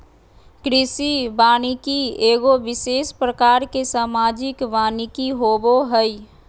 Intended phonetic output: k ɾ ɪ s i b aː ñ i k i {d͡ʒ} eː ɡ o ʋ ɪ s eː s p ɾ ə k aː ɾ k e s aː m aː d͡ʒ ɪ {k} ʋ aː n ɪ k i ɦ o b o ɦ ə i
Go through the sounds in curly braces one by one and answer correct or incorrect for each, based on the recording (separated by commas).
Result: incorrect, correct